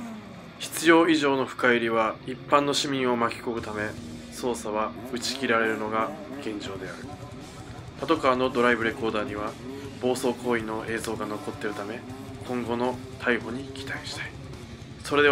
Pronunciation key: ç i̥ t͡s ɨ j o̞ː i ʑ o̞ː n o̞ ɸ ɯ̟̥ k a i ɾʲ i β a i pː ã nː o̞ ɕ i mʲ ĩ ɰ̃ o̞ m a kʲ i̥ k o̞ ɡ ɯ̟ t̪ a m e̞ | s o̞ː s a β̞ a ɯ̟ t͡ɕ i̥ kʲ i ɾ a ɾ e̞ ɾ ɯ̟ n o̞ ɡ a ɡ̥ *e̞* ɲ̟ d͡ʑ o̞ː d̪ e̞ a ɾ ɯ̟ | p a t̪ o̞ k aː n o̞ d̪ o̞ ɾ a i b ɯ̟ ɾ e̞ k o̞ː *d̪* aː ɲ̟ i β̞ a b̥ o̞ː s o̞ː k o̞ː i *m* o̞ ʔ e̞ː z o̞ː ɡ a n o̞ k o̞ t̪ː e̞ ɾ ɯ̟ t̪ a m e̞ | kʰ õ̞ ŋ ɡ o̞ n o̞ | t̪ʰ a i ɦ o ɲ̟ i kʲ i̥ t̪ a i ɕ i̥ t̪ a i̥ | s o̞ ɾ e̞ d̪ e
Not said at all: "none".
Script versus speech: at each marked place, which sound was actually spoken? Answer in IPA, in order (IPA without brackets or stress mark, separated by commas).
ẽ̞, d̪, n